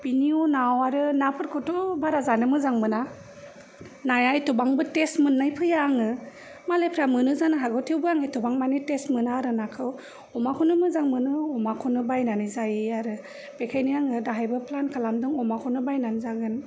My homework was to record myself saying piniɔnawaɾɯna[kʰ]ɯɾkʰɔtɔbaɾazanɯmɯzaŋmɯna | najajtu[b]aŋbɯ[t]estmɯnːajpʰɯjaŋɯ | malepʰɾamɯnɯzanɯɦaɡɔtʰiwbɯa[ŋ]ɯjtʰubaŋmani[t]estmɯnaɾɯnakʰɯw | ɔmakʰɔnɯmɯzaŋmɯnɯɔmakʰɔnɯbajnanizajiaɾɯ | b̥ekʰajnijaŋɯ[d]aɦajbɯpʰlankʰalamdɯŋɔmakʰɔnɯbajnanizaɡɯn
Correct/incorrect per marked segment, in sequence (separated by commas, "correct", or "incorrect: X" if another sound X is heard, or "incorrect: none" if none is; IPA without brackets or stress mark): incorrect: pʰ, correct, correct, correct, correct, correct